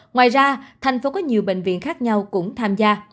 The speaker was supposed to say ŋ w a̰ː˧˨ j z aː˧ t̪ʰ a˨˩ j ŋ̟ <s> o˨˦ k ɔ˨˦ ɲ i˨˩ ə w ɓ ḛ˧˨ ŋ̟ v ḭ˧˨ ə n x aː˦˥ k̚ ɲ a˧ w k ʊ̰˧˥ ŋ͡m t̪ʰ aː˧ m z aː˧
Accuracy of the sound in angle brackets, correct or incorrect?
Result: incorrect